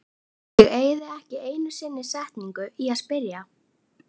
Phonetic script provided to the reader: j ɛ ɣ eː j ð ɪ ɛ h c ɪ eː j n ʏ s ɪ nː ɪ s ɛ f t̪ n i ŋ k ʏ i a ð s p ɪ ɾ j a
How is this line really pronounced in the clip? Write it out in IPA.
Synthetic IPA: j ɛ ɣ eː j ð ɪ ɛ h c ɪ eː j n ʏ s ɪ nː ɪ s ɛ h t̪ n i ŋ k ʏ i a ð s p ɪ ɾ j a